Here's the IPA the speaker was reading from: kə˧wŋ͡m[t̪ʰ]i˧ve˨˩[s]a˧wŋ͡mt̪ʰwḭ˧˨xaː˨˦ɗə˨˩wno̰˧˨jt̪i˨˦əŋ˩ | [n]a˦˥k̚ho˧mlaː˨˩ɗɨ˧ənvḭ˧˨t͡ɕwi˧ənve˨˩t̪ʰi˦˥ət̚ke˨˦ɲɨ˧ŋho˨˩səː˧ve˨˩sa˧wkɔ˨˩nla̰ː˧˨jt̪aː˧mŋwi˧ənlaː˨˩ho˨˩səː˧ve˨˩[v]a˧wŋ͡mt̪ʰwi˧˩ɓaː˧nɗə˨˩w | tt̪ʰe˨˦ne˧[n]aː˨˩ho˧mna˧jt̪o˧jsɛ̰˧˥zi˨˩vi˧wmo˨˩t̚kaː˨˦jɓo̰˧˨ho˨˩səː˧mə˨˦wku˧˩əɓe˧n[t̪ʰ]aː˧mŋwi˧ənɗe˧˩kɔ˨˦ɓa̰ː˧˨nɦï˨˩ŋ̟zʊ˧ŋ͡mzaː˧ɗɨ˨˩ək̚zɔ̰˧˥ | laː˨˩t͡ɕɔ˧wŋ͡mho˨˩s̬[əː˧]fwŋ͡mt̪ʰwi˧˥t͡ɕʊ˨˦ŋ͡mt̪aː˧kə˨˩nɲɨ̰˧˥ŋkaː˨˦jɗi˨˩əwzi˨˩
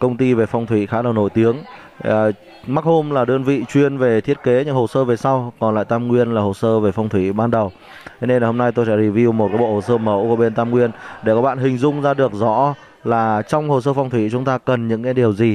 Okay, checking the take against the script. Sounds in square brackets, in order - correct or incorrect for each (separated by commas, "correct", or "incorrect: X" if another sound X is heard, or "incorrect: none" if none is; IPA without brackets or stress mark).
incorrect: t̪, incorrect: f, incorrect: m, incorrect: f, correct, incorrect: t̪, correct